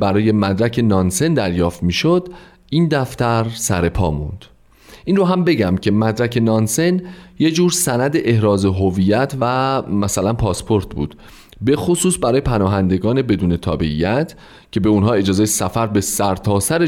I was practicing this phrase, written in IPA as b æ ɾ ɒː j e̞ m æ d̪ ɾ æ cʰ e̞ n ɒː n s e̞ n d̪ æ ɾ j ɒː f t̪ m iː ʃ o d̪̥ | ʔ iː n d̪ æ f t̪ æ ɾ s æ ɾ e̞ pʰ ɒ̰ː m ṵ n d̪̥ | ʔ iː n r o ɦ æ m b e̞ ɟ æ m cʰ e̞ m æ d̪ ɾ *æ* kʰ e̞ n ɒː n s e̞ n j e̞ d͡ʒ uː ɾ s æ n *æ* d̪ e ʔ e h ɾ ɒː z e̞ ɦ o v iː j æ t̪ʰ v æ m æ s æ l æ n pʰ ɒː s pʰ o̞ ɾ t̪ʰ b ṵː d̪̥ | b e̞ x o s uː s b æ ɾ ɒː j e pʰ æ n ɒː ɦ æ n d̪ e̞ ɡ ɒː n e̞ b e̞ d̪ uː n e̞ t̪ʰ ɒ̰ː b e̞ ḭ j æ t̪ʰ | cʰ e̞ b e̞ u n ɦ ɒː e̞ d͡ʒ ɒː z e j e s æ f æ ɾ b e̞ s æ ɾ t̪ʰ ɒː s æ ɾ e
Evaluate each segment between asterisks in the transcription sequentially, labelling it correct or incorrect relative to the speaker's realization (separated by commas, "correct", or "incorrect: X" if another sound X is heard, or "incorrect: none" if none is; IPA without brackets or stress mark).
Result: correct, correct